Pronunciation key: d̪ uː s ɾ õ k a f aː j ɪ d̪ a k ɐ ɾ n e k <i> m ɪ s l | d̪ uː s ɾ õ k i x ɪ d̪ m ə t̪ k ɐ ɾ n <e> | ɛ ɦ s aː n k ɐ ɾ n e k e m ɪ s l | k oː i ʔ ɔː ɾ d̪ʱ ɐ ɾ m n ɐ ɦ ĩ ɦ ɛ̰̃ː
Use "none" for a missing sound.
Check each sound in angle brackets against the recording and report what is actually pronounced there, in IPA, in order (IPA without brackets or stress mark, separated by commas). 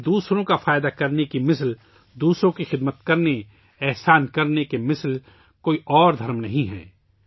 i, e